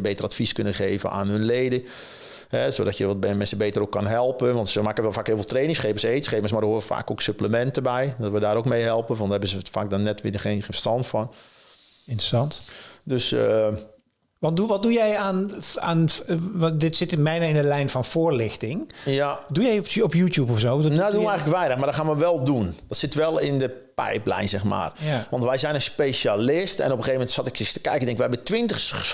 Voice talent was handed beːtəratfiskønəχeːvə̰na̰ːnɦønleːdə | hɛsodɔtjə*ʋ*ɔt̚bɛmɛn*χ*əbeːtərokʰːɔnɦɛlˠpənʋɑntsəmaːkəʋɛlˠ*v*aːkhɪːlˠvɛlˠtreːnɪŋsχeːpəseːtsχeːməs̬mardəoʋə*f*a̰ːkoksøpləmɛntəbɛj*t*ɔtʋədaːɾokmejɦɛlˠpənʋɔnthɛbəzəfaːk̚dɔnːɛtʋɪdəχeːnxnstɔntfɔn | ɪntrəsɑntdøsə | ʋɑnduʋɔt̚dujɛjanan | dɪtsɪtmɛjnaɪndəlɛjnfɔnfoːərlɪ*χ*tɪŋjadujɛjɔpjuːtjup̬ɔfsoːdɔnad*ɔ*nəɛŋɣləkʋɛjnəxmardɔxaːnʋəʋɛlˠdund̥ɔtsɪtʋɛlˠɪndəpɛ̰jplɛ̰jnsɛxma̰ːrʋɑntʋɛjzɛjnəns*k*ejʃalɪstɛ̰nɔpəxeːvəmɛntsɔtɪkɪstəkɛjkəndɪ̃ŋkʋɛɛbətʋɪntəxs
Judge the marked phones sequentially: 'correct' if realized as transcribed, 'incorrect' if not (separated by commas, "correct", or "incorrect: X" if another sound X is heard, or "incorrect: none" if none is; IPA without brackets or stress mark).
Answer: correct, incorrect: s, incorrect: f, correct, incorrect: d, incorrect: x, incorrect: u, incorrect: p